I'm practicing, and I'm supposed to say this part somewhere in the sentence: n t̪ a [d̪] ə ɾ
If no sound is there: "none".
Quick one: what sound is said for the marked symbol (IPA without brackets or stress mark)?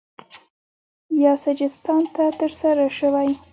t̪